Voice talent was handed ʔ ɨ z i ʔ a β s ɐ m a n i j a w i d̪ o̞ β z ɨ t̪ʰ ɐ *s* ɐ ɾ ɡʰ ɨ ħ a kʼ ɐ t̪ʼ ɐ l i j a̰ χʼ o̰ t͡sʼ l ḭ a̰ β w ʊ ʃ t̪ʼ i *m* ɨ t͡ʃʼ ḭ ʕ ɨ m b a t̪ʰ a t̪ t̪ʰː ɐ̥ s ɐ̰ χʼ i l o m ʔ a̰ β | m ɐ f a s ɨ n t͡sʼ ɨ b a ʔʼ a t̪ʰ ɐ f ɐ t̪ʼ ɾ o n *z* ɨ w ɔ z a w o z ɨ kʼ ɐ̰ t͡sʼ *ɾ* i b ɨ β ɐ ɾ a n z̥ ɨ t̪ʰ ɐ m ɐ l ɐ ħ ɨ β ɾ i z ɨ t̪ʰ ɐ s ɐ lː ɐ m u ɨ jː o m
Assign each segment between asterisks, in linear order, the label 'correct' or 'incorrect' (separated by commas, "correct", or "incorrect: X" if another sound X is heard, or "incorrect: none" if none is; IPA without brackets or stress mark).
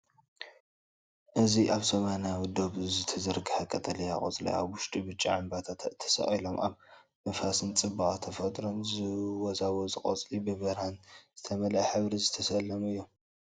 incorrect: z, incorrect: b, correct, incorrect: l